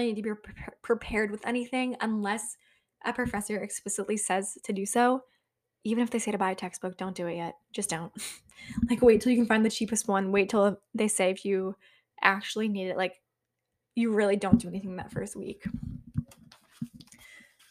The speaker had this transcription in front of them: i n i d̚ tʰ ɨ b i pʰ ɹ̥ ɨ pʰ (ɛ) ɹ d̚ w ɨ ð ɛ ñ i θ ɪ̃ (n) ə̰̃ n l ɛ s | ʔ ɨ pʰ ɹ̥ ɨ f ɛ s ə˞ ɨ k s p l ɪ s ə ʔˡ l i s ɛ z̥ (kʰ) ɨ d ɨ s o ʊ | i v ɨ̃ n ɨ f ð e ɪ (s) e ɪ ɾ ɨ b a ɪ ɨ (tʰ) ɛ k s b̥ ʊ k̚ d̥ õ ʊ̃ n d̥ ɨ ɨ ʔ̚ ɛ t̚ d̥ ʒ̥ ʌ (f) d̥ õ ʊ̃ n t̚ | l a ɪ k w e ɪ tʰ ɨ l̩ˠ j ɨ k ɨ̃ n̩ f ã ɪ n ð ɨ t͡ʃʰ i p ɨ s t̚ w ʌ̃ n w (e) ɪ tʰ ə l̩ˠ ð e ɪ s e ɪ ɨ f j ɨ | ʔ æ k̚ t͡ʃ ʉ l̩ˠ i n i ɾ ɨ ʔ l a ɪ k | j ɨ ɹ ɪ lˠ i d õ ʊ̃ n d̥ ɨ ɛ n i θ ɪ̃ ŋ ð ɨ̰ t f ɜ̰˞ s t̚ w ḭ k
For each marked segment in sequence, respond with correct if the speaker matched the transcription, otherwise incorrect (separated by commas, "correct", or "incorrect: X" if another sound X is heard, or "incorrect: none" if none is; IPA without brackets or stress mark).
correct, incorrect: ŋ, incorrect: tʰ, correct, correct, incorrect: s, correct